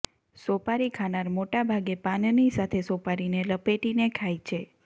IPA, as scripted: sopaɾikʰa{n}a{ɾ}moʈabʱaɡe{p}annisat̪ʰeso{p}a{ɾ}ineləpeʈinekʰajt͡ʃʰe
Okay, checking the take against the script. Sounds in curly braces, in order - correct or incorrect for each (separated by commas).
correct, correct, correct, correct, correct